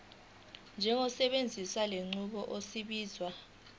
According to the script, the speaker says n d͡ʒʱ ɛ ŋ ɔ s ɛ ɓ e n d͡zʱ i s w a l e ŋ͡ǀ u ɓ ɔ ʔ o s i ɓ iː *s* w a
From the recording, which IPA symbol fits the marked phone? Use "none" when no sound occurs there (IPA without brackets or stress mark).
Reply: z